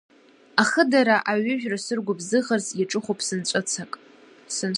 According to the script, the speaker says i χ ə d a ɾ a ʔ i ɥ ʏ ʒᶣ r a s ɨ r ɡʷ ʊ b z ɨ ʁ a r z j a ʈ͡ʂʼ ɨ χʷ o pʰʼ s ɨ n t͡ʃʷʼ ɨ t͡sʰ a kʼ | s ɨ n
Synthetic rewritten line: a χ ə d a ɾ a ʔ a ɥ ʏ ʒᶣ r a s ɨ r ɡʷ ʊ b z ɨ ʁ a r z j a ʈ͡ʂʼ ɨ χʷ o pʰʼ s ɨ n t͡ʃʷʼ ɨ t͡sʰ a kʼ | s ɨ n